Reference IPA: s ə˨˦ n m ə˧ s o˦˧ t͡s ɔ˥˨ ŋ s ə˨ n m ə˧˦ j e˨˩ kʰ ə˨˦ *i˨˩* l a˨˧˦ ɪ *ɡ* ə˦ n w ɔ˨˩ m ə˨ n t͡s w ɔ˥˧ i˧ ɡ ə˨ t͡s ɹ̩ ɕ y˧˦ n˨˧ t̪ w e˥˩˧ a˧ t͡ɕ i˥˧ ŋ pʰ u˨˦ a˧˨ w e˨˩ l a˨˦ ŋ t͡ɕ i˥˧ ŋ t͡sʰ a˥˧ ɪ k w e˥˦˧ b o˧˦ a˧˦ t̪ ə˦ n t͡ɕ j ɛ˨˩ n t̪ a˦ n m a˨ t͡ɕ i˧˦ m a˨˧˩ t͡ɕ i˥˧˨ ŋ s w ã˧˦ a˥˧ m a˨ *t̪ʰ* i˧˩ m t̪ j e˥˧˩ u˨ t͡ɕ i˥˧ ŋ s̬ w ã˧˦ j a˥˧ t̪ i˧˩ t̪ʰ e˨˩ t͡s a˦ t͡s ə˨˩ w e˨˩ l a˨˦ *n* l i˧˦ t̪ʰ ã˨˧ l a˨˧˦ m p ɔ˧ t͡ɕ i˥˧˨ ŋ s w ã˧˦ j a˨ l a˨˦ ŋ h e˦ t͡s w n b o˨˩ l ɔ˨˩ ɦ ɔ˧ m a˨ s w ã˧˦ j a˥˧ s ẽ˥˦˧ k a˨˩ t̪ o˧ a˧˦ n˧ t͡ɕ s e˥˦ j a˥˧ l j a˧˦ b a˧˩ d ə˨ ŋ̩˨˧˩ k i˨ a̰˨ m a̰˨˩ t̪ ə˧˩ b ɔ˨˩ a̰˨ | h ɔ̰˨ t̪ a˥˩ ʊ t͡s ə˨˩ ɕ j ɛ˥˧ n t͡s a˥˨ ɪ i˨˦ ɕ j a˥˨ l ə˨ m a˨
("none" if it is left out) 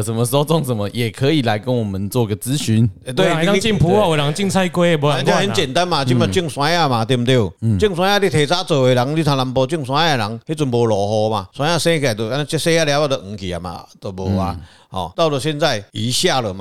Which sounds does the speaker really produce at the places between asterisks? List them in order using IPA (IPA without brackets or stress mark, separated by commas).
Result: i˨˩, k, t̪, ŋ